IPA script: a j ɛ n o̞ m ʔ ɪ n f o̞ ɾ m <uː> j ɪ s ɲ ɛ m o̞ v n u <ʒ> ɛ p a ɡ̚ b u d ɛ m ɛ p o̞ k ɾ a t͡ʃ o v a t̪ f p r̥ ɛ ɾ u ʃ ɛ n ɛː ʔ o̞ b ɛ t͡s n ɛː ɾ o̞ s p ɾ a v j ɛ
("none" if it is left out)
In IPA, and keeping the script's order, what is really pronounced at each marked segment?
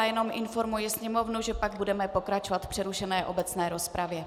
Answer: u, ʒ

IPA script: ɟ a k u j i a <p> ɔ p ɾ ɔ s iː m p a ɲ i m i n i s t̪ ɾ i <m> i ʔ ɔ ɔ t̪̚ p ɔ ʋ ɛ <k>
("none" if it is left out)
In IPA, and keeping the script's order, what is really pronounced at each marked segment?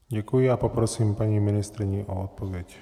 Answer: p, ɲ, c

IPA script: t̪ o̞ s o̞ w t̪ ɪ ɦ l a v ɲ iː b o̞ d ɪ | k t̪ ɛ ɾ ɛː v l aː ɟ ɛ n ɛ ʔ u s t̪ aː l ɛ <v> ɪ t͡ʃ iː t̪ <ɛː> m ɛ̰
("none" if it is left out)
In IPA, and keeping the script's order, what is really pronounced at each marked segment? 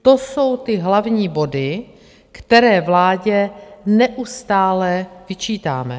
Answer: v, aː

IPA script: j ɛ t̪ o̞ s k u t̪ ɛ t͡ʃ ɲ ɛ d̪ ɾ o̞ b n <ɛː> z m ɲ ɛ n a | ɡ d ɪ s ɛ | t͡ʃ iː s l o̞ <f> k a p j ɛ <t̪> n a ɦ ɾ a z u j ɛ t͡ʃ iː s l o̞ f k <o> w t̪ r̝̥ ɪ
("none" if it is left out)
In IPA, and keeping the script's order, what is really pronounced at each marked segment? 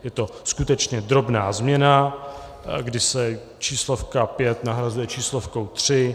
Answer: aː, f, t̪, o

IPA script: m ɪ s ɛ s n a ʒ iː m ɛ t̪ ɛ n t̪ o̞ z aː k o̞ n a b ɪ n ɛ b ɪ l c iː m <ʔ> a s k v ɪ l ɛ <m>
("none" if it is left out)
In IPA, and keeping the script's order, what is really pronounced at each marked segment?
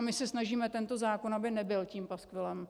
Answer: p, m

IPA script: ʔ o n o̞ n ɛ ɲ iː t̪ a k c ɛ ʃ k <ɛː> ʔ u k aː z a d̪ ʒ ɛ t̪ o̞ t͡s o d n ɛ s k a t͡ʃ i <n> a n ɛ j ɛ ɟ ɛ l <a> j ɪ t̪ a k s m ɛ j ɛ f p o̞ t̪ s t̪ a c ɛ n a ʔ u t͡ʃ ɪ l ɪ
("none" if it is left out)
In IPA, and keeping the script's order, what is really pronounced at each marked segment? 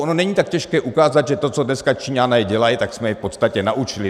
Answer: ɛː, ɲ, a

